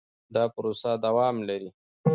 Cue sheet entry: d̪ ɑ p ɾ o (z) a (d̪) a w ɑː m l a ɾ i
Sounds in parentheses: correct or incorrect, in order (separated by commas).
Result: incorrect, correct